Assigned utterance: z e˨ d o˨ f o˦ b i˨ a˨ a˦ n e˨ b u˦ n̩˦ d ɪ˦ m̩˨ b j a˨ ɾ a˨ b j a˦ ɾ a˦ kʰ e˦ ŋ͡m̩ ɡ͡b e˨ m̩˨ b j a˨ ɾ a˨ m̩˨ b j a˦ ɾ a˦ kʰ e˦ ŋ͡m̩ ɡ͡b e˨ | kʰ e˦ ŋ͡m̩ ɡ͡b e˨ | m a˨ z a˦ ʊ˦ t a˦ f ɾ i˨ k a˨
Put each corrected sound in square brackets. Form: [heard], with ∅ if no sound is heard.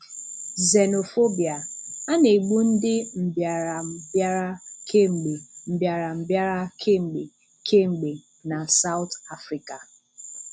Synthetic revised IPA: z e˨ [n] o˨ f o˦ b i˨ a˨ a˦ n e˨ [ɡ͡b] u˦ n̩˦ d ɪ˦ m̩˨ b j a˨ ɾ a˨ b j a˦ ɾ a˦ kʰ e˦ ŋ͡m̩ ɡ͡b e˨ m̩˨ b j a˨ ɾ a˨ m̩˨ b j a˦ ɾ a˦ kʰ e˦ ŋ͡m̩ ɡ͡b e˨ | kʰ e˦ ŋ͡m̩ ɡ͡b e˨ | [n] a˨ [s] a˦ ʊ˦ t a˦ f ɾ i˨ k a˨